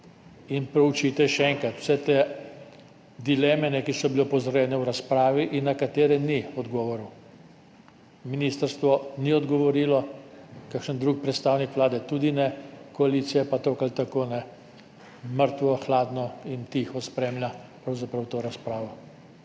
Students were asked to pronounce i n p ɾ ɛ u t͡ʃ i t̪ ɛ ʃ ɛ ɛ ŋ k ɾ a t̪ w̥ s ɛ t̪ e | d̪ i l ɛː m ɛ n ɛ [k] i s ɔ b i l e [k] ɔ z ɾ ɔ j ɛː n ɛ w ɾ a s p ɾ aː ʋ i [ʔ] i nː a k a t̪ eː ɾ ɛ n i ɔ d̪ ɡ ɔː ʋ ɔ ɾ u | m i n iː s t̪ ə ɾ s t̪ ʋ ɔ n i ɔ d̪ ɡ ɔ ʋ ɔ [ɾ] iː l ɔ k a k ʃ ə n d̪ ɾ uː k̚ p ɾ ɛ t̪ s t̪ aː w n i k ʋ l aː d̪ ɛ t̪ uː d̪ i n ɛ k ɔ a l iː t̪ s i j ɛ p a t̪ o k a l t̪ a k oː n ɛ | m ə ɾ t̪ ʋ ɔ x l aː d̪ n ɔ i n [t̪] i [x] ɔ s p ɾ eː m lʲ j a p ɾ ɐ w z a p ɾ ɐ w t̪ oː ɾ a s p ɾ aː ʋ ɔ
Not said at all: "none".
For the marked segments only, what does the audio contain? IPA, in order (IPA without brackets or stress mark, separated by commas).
k, p, ʔ, ɾ, t̪, x